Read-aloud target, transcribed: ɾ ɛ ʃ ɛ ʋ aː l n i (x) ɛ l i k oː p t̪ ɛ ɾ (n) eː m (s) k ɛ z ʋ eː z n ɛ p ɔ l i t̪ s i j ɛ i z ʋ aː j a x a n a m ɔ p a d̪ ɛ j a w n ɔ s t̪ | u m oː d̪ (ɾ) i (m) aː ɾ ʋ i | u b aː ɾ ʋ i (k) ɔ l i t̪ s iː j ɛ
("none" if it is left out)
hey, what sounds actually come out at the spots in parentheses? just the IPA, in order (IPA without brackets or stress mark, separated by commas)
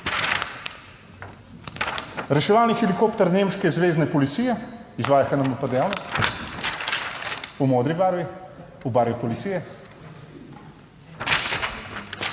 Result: x, n, ʃ, ɾ, b, p